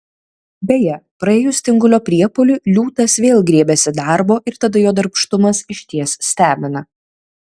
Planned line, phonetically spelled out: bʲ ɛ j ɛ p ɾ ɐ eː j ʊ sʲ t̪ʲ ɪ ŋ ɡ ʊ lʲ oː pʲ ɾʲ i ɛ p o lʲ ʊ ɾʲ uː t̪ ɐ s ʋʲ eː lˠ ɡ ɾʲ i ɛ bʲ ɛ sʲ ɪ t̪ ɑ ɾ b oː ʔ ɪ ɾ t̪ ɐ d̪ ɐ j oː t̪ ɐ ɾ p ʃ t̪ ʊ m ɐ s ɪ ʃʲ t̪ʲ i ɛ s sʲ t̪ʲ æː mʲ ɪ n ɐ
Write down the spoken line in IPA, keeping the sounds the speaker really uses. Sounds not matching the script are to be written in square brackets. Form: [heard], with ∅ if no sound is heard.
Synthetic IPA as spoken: bʲ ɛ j ɛ p ɾ ɐ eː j ʊ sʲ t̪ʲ ɪ ŋ ɡ ʊ lʲ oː pʲ ɾʲ i ɛ p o lʲ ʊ [lʲ] uː t̪ ɐ s ʋʲ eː lˠ ɡ ɾʲ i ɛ bʲ ɛ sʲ ɪ [d̪] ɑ ɾ b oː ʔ ɪ ɾ t̪ ɐ d̪ ɐ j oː [d̪] ɐ ɾ p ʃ t̪ ʊ m ɐ s ɪ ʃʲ t̪ʲ i ɛ s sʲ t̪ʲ æː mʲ ɪ n ɐ

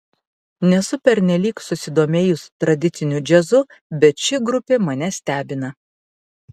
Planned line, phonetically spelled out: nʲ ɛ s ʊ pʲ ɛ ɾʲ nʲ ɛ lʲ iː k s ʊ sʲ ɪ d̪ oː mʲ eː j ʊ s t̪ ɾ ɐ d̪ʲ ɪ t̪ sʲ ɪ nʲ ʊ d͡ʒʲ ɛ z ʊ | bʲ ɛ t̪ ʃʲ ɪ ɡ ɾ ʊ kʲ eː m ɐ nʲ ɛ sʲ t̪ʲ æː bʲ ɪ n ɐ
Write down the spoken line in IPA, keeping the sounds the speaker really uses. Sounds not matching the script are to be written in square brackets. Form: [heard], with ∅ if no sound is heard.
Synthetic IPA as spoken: nʲ ɛ s ʊ pʲ ɛ ɾʲ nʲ ɛ lʲ iː k s ʊ sʲ ɪ d̪ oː mʲ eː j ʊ s t̪ ɾ ɐ d̪ʲ ɪ t̪ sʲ ɪ nʲ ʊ d͡ʒʲ ɛ z ʊ | bʲ ɛ t̪ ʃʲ ɪ ɡ ɾ ʊ [pʲ] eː m ɐ nʲ ɛ sʲ t̪ʲ æː bʲ ɪ n ɐ

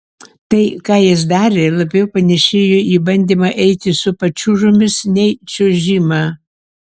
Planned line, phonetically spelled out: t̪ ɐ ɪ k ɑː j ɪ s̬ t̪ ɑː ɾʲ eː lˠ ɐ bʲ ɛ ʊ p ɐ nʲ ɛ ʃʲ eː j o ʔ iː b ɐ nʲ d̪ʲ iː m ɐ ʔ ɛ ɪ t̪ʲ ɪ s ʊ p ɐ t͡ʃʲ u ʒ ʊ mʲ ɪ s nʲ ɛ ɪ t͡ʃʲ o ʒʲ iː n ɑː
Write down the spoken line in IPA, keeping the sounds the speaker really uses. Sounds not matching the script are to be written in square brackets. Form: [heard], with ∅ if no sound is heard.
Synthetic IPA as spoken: t̪ ɐ ɪ k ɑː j ɪ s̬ [d̪] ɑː ɾʲ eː lˠ ɐ bʲ ɛ ʊ p ɐ nʲ ɛ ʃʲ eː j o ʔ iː b ɐ nʲ d̪ʲ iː m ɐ ʔ ɛ ɪ t̪ʲ ɪ s ʊ p ɐ t͡ʃʲ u ʒ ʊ mʲ ɪ s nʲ ɛ ɪ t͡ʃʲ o ʒʲ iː [m] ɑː

